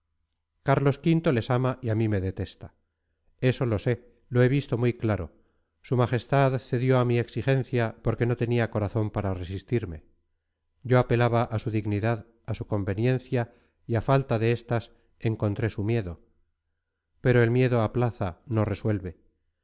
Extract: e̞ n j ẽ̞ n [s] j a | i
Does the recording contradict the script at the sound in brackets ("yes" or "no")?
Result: yes